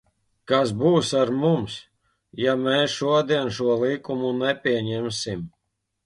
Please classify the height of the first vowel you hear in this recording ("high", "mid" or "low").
low